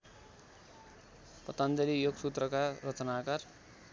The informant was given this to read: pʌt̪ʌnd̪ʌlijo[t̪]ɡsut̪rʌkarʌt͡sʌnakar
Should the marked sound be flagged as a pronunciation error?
yes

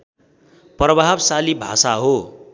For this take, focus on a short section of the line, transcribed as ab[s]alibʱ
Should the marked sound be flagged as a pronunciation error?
no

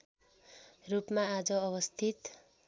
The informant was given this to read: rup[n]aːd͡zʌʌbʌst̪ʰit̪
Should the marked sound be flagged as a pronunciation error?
yes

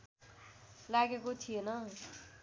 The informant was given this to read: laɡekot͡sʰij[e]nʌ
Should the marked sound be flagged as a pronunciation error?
no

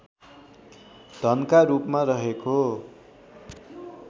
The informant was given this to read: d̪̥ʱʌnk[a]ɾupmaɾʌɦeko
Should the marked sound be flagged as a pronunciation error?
no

